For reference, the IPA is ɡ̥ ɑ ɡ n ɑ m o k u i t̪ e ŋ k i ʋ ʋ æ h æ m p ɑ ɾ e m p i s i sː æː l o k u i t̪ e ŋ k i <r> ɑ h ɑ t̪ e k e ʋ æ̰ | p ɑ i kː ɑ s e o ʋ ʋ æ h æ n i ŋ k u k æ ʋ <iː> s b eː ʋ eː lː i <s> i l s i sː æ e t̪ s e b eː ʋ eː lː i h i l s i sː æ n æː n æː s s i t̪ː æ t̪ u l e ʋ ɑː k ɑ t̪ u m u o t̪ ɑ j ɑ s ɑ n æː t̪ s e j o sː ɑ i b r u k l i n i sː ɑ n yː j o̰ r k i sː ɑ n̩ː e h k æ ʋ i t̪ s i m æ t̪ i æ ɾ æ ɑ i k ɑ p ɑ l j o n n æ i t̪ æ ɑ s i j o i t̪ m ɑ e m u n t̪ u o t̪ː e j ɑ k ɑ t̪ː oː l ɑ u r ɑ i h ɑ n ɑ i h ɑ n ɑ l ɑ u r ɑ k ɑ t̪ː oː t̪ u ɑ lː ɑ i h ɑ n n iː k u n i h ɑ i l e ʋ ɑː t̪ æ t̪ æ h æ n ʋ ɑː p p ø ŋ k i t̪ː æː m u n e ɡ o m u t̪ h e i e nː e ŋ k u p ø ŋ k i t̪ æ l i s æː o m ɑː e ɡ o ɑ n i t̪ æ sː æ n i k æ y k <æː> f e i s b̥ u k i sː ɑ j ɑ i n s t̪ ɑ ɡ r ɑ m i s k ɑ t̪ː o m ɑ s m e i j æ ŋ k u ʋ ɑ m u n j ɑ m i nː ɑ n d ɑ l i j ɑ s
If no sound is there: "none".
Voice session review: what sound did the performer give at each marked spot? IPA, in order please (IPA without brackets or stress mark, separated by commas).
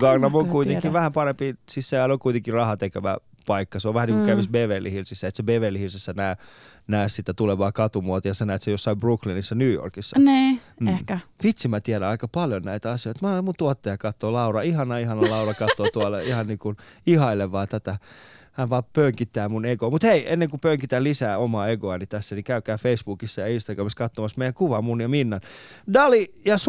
r, i, h, æː